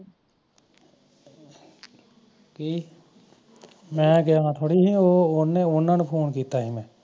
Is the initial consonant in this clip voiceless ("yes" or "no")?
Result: yes